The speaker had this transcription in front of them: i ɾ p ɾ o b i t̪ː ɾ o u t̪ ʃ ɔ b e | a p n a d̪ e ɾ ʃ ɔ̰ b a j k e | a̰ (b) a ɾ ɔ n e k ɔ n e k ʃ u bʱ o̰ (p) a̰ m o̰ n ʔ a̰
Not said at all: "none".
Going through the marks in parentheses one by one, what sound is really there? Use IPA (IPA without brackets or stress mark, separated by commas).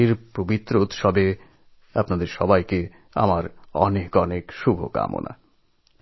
m, k